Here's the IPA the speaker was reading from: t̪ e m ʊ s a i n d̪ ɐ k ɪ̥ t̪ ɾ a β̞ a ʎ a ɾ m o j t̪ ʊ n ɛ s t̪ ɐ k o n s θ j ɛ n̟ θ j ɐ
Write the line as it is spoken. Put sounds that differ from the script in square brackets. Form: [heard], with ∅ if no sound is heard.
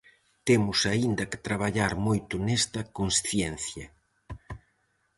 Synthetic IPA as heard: t̪ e m ʊ s a i n d̪ ɐ k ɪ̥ t̪ ɾ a β̞ a ʎ a ɾ m o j t̪ ʊ n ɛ s t̪ ɐ k o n s θ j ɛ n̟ θ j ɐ